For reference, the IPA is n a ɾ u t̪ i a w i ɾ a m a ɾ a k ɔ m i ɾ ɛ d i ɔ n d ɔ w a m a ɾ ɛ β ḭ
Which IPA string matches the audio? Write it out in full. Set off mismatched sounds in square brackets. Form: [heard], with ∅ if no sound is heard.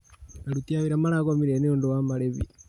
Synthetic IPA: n a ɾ u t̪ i a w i ɾ a m a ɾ a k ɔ m i ɾ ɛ [n] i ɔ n d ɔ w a m a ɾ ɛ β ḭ